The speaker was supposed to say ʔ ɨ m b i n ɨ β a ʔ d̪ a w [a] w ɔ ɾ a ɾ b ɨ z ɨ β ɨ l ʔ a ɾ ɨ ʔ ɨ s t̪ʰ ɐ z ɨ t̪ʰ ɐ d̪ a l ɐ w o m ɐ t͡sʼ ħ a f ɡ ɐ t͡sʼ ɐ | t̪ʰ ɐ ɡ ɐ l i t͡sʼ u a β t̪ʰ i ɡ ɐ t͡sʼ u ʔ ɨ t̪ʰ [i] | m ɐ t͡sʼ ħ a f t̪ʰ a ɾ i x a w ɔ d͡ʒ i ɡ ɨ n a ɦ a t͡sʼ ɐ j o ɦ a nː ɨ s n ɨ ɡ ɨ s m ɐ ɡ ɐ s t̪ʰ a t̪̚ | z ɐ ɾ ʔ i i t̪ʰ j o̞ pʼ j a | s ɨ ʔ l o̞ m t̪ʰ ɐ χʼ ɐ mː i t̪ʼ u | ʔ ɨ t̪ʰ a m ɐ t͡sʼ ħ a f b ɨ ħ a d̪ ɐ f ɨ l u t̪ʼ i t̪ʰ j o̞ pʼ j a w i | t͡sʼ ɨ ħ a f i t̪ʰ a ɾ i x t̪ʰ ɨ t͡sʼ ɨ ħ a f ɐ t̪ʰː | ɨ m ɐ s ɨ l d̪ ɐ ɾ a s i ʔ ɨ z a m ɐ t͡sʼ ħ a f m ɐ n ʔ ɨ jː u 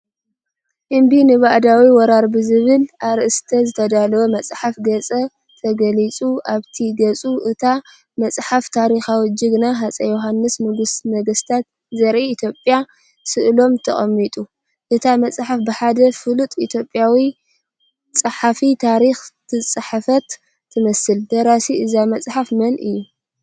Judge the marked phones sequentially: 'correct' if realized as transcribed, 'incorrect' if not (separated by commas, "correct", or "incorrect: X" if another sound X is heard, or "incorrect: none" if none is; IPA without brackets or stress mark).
incorrect: i, incorrect: a